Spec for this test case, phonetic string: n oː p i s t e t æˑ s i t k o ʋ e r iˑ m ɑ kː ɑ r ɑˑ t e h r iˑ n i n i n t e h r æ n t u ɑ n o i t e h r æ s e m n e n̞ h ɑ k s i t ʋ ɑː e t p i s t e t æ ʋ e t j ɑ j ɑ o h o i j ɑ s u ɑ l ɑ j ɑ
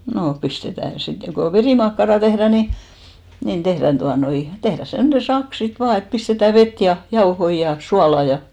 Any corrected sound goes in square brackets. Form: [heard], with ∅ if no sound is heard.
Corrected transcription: n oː p i s t e t æˑ s i t k o ʋ e r iˑ m ɑ kː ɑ r ɑˑ t e h r [æˑ] n i n i n t e h r æ n t u ɑ n o i t e h r æ s e m n e n̞ [s] ɑ k s i t ʋ ɑː e t p i s t e t æ ʋ e t j ɑ j ɑ o h o i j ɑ s u ɑ l ɑ j ɑ